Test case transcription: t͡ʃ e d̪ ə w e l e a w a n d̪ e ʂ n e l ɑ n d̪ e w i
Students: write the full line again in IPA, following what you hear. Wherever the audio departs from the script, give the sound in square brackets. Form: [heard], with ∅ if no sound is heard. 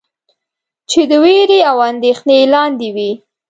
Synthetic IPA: t͡ʃ e d̪ ə w e [ɾ] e a w a n d̪ e [x] n e l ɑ n d̪ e w i